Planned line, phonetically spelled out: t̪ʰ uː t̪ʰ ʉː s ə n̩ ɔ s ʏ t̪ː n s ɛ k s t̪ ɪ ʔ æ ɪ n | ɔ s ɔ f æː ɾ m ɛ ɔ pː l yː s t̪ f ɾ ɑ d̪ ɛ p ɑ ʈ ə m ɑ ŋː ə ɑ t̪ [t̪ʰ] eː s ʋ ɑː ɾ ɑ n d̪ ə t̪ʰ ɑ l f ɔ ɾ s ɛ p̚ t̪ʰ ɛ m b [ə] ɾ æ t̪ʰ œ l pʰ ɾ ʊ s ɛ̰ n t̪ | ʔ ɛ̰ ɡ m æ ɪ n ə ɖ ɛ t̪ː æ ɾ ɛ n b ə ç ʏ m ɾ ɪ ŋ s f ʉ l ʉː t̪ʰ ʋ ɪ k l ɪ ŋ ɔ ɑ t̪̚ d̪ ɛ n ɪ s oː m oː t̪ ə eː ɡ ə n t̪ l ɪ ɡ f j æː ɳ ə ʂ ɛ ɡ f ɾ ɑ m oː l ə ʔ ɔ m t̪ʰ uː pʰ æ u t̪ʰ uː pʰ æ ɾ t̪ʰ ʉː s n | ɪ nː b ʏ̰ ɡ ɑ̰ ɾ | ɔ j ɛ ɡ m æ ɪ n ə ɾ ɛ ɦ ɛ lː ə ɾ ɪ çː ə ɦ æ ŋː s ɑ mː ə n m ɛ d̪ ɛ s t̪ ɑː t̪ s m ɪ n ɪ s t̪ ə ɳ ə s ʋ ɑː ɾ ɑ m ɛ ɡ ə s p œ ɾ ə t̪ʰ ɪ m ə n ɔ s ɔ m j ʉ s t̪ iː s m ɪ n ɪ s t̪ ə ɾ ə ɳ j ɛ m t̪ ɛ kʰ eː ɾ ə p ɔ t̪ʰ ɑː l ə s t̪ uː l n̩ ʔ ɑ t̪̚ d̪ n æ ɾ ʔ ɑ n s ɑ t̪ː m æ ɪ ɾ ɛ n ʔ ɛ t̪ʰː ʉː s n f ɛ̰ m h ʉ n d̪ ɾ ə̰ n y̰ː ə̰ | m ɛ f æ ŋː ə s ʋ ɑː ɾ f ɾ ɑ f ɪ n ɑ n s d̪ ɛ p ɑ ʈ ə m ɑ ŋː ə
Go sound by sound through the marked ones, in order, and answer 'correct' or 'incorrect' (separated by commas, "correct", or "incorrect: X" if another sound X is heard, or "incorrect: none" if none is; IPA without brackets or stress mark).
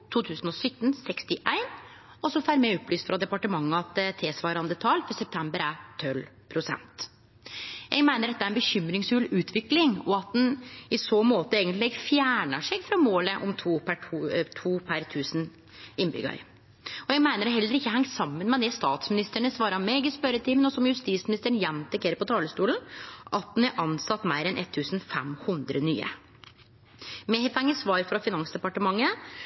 correct, correct